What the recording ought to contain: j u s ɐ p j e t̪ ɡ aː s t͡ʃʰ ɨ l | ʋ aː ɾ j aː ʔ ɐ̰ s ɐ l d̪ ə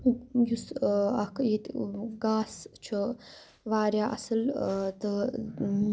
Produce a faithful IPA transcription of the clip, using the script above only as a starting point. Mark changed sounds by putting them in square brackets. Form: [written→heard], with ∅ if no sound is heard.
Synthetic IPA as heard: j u s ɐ [p→k] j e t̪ ɡ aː s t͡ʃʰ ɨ [l→∅] | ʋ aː ɾ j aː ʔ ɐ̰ s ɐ l [d̪→t̪] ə